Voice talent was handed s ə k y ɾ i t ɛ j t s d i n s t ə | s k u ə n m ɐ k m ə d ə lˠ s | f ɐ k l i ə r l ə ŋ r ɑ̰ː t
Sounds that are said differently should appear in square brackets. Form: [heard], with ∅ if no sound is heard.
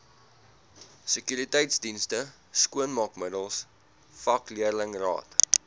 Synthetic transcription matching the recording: s ə k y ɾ i t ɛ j t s d i n s t ə | s k u ə n m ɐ k m ə d ə lˠ s | f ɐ k l i ə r l ə ŋ r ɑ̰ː t